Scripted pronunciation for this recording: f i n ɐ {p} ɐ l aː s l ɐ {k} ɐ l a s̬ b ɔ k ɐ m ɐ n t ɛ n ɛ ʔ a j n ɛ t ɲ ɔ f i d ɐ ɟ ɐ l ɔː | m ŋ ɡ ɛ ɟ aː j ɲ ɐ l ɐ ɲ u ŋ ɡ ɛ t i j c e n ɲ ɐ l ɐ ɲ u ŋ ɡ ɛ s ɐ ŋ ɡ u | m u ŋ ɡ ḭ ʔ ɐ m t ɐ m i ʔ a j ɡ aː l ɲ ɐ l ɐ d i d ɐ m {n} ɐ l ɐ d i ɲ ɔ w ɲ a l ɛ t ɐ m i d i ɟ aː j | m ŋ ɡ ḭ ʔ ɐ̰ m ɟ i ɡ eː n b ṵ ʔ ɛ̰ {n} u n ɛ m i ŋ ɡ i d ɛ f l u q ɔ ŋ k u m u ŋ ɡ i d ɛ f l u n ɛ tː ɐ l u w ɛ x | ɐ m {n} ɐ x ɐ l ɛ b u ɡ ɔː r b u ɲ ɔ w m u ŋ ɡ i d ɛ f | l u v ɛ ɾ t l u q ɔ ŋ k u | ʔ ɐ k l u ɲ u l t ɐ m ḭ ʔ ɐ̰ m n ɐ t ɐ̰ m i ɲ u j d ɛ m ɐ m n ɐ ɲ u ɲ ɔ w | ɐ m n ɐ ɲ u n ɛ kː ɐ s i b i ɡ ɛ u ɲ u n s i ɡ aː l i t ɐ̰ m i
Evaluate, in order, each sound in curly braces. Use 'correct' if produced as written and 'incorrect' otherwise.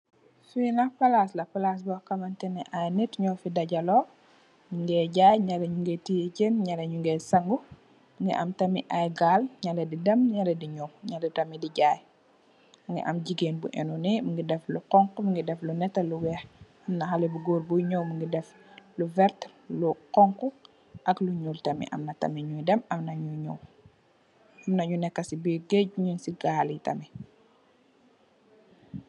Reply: correct, incorrect: p, incorrect: ɲ, correct, correct

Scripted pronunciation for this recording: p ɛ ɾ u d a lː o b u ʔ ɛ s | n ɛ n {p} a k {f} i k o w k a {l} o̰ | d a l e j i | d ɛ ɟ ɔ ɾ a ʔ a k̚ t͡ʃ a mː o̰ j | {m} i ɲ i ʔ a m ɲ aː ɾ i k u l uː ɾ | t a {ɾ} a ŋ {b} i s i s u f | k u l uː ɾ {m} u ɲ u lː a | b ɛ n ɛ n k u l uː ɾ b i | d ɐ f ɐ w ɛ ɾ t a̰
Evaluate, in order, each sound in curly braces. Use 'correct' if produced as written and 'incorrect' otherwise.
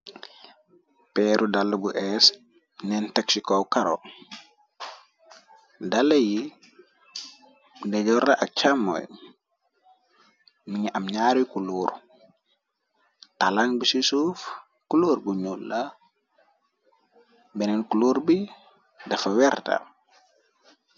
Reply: incorrect: t, incorrect: s, incorrect: ɾ, correct, incorrect: l, correct, incorrect: b

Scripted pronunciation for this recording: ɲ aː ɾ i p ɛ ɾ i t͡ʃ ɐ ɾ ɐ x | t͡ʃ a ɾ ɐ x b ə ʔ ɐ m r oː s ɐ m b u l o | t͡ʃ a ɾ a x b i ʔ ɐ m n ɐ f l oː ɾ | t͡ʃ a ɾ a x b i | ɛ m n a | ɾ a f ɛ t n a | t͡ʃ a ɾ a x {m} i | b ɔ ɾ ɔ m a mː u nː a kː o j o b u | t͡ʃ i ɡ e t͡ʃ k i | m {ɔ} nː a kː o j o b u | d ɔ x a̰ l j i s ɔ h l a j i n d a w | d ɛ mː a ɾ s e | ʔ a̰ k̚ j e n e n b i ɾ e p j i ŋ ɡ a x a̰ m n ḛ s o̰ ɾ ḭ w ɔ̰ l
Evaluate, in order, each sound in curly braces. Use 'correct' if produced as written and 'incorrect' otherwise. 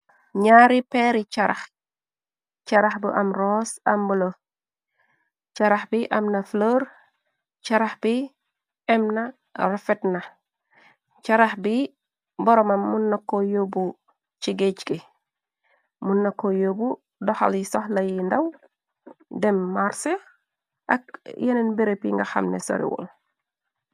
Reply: incorrect: b, incorrect: u

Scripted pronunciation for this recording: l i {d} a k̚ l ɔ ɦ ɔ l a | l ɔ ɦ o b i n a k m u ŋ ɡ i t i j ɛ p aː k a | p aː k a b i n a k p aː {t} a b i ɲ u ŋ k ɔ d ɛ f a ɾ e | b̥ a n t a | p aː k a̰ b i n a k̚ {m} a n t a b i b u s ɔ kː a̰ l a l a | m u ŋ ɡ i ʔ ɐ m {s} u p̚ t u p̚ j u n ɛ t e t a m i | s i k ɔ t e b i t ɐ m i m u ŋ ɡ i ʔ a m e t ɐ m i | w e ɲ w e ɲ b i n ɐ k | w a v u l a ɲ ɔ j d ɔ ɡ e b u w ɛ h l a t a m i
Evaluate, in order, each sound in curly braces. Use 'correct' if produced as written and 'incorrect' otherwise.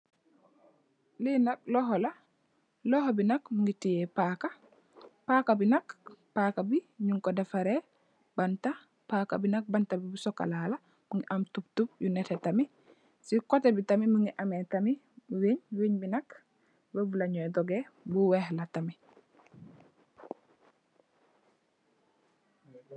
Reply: incorrect: n, incorrect: k, incorrect: b, incorrect: t

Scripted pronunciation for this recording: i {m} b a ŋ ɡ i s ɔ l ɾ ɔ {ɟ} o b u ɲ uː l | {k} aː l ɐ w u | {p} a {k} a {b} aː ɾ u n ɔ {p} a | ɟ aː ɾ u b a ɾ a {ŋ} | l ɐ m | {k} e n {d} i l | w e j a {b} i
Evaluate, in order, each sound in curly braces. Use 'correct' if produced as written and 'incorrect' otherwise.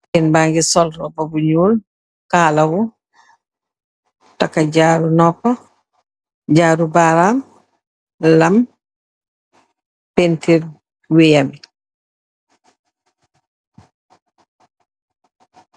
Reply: incorrect: n, incorrect: b, correct, incorrect: t, correct, incorrect: ɟ, correct, incorrect: m, incorrect: p, incorrect: t, incorrect: m

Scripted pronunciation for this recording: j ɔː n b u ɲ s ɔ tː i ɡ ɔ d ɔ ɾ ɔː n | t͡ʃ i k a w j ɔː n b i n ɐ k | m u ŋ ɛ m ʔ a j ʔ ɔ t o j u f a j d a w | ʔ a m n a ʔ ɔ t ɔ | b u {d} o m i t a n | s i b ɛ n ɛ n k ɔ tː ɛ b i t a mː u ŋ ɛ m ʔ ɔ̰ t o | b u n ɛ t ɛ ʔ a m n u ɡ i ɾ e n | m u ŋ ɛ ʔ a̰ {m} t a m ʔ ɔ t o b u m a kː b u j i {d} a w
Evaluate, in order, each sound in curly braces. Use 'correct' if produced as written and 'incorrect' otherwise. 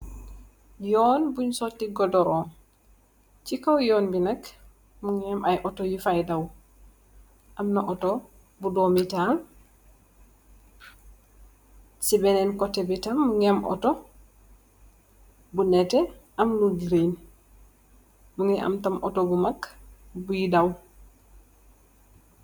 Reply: correct, correct, correct

